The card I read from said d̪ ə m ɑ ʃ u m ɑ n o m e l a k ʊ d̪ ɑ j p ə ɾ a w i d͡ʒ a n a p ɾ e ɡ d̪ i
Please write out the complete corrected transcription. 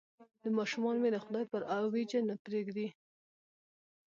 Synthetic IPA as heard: d̪ ə m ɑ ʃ u m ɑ n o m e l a x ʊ d̪ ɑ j p ə ɾ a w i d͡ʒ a n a p ɾ e ɡ d̪ i